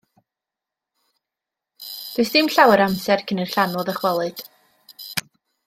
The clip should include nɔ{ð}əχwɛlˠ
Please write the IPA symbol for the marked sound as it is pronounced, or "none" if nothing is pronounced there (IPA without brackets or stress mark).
ð